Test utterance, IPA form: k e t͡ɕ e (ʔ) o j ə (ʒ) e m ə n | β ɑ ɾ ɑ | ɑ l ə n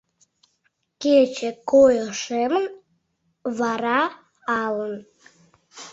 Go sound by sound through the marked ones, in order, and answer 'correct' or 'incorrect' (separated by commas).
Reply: incorrect, incorrect